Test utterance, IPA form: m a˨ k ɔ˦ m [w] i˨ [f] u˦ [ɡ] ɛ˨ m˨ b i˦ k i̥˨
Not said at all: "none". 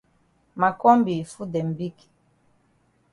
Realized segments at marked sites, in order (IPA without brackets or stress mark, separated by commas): b, f, d